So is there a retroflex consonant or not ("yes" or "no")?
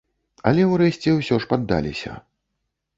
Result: yes